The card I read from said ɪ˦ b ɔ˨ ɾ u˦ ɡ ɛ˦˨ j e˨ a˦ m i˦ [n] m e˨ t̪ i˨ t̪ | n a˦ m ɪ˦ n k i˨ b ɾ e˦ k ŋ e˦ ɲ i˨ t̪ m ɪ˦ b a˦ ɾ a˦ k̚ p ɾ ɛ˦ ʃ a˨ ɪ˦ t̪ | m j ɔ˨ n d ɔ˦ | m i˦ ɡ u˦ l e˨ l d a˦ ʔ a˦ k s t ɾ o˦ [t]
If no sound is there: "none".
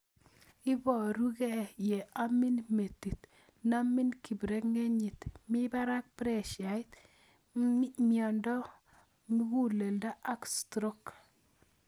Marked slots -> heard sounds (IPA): n, k

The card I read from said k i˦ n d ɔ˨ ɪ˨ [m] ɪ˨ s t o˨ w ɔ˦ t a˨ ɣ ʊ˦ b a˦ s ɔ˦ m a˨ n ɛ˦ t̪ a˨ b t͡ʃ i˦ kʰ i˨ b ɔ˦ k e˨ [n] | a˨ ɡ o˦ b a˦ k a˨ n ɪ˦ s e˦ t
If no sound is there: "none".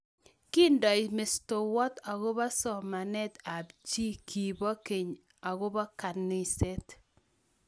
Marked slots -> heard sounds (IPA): m, ɲ

